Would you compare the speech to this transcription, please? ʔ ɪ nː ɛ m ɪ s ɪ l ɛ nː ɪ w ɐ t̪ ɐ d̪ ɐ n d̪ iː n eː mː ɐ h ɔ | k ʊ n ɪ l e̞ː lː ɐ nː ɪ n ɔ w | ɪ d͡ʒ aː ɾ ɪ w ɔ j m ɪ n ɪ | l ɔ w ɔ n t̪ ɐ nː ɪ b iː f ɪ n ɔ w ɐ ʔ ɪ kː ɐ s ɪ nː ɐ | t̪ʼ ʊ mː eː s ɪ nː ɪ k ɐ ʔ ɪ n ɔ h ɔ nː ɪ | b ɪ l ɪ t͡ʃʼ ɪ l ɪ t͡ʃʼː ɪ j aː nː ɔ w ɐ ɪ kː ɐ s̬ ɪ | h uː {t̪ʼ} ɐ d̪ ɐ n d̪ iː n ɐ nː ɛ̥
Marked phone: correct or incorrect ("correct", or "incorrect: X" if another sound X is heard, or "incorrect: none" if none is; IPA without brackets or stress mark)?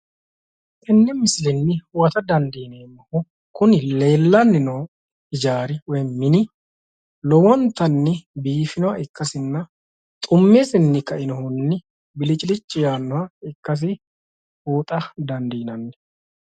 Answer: correct